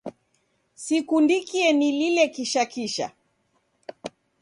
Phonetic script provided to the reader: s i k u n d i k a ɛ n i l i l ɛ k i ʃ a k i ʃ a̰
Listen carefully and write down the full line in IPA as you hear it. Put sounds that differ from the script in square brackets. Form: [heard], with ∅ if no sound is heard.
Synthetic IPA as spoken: s i k u n d i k [i] ɛ n i l i l ɛ k i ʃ a k i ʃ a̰